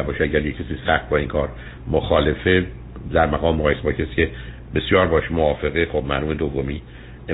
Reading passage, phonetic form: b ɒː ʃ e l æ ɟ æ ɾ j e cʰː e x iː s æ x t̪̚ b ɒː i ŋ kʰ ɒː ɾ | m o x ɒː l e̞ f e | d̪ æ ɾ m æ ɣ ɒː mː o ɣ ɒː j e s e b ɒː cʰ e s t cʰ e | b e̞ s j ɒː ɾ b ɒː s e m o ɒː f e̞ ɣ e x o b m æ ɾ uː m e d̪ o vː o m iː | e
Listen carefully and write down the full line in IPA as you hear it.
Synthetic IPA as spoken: b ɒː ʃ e æ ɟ æ ɾ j e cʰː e s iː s æ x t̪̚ b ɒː i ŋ kʰ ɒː ɾ | m o x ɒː l e̞ f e | d̪ æ ɾ m æ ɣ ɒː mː o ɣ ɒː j e s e b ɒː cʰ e s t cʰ e | b e̞ s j ɒː ɾ b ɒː ʃ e m o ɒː f e̞ ɣ e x o b m æ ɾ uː m e d̪ o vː o m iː | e